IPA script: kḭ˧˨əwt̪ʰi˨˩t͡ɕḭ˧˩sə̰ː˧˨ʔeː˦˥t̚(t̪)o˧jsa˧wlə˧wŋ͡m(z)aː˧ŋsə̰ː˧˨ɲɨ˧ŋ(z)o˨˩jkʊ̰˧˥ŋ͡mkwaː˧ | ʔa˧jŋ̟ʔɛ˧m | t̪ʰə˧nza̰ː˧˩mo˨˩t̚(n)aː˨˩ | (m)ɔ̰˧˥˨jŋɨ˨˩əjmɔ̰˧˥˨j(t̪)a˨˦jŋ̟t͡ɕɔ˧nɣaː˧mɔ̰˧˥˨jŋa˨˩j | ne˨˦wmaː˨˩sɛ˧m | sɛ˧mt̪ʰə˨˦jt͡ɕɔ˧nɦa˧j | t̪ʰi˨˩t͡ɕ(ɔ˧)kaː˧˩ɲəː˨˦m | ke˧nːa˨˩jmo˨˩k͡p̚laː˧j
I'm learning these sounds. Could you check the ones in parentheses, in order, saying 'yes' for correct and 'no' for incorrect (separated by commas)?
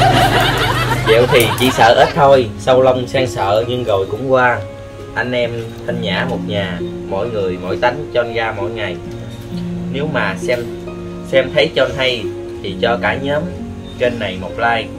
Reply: no, no, no, no, yes, yes, yes